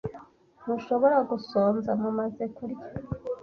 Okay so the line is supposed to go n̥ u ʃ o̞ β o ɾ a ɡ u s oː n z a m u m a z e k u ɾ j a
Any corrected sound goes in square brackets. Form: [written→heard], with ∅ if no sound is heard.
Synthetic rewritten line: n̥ u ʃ o̞ β o ɾ a ɡ u s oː n z a m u m a z e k u ɾ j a